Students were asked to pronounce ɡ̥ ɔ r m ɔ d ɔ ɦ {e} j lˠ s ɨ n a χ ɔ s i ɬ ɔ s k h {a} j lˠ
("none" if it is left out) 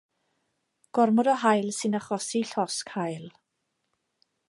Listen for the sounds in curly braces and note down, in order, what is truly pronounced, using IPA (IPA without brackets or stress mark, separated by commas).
a, a